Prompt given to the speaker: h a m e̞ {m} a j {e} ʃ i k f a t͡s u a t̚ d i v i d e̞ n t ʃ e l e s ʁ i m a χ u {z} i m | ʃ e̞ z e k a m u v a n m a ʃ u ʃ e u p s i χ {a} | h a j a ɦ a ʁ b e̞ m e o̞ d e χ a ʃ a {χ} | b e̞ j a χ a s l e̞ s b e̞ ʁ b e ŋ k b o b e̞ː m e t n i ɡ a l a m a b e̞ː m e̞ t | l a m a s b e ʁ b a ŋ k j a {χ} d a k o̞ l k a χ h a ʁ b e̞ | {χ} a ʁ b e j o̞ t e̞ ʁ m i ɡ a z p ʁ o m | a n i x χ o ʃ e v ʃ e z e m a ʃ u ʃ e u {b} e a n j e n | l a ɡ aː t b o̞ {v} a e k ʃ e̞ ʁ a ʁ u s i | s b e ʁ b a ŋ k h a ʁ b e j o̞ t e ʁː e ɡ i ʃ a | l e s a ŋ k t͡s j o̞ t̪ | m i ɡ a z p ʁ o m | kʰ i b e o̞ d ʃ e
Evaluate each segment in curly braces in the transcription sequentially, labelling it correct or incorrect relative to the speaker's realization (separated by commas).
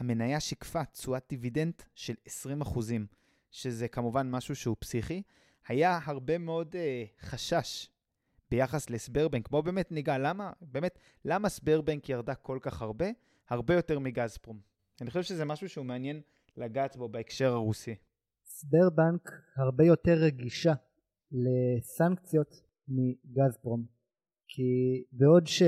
incorrect, incorrect, correct, incorrect, incorrect, incorrect, incorrect, incorrect, incorrect